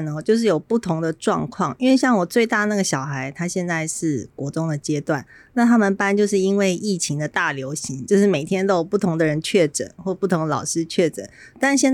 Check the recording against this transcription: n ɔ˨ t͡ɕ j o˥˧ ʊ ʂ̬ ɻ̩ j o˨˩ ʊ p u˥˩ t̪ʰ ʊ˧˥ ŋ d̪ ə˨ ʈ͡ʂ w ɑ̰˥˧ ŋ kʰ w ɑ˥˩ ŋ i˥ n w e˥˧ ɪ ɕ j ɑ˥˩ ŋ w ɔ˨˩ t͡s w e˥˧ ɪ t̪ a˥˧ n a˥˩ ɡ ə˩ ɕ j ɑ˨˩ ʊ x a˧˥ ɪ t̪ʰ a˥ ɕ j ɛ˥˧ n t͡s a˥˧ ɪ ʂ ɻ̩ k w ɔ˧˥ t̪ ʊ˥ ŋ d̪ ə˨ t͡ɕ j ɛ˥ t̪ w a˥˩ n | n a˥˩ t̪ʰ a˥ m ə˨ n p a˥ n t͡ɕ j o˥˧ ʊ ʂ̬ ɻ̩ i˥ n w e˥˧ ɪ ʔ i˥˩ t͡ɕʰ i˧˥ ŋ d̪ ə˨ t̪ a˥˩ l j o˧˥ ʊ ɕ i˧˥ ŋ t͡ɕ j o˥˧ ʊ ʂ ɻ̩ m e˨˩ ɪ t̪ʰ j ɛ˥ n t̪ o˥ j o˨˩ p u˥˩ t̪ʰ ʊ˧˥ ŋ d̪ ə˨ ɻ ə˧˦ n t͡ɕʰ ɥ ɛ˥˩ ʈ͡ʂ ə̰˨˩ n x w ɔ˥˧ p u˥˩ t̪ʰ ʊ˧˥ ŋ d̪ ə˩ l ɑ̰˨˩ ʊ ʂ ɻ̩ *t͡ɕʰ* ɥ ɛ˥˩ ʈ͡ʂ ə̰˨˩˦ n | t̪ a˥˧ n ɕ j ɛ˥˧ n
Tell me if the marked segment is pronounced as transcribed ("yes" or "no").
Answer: yes